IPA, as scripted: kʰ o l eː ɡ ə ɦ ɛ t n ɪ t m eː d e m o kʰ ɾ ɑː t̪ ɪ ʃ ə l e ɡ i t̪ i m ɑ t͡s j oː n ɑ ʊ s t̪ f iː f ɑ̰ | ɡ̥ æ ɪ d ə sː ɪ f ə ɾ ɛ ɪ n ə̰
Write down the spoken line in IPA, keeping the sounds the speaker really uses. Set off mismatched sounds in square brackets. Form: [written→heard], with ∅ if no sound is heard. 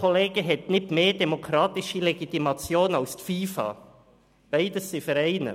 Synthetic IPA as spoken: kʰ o l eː ɡ ə ɦ ɛ t n ɪ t m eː d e m o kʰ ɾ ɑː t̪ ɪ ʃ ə l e ɡ i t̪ i m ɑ t͡s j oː n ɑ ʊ s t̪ f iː f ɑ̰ | [ɡ̥→b̥] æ ɪ d ə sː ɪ f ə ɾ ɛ ɪ n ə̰